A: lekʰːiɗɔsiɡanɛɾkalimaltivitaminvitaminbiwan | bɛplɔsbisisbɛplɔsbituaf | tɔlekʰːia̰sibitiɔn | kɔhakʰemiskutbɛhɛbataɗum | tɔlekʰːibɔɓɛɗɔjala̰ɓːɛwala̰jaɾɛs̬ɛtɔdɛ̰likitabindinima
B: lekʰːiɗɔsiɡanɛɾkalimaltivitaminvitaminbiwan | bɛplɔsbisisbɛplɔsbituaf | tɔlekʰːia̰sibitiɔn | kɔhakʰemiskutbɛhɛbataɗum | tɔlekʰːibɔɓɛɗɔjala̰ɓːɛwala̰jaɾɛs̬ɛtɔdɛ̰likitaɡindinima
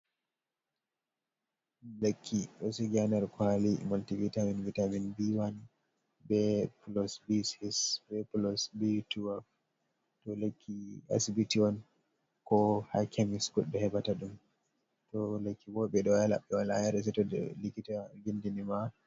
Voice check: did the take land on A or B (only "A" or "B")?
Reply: B